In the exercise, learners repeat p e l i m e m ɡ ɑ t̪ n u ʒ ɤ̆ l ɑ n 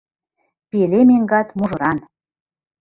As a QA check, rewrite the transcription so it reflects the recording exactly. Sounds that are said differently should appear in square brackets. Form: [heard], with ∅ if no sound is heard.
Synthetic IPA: p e l [e] m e [ŋ] ɡ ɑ t̪ [m] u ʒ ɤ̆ [ɾ] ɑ n